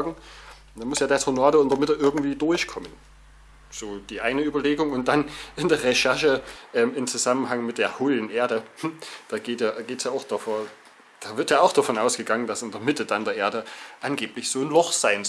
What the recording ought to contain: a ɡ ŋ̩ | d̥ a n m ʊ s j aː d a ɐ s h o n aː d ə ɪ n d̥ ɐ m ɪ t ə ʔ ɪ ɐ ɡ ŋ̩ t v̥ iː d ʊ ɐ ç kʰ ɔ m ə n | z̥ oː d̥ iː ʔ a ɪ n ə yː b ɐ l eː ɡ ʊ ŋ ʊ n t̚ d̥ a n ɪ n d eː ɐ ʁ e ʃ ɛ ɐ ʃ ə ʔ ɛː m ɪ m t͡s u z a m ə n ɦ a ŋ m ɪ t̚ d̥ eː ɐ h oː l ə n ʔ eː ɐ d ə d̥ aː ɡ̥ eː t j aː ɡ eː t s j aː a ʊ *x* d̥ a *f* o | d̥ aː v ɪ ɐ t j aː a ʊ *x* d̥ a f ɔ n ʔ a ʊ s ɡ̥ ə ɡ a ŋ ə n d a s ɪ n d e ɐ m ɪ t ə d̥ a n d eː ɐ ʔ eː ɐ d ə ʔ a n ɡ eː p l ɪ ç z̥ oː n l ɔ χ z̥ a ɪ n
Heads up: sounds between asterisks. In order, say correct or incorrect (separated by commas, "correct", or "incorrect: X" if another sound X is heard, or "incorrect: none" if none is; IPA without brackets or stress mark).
correct, correct, correct